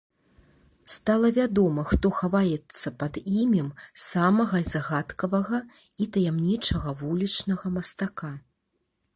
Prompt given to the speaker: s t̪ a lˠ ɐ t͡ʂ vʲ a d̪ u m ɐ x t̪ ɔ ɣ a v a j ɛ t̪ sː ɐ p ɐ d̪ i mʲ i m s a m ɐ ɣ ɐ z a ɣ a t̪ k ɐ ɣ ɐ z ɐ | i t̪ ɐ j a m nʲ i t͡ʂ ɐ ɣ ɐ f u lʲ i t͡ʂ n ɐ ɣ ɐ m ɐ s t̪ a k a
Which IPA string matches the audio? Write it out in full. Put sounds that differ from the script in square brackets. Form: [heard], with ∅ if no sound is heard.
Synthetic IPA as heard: s t̪ a lˠ ɐ [∅] vʲ a d̪ [ɔ] m ɐ x t̪ ɔ [x] a v a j ɛ t̪ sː ɐ p ɐ d̪ i mʲ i m s a m ɐ ɣ ɐ z a ɣ a t̪ k ɐ [v] ɐ [ɣ] ɐ | i t̪ ɐ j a m nʲ i t͡ʂ ɐ ɣ ɐ [v] u lʲ i t͡ʂ n ɐ ɣ ɐ m ɐ s t̪ a k a